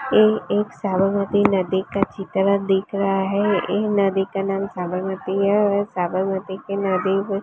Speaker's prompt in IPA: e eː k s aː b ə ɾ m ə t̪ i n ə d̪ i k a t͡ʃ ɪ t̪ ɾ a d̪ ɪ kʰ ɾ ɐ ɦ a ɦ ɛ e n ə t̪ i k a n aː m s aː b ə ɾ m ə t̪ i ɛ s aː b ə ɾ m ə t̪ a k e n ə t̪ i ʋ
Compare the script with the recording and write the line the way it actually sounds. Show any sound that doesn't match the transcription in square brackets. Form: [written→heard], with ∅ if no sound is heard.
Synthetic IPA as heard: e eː k s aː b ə ɾ m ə t̪ i n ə d̪ i k a t͡ʃ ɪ t̪ ɾ a d̪ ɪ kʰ ɾ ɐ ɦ a ɦ ɛ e n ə [t̪→d̪] i k a n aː m s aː b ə ɾ m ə t̪ i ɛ s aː b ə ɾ m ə t̪ [a→i] k e n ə [t̪→d̪] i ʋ